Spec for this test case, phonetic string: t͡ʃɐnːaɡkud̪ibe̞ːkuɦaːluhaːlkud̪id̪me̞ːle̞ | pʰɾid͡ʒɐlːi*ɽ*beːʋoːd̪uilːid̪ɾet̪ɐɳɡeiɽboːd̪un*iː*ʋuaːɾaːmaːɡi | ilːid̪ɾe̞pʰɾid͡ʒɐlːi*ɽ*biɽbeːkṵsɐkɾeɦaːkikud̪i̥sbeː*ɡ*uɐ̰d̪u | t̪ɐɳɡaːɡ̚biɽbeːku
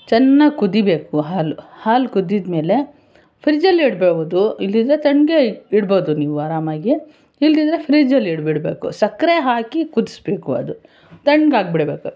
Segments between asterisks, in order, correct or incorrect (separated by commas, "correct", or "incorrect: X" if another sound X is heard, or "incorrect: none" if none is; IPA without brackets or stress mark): correct, correct, correct, incorrect: k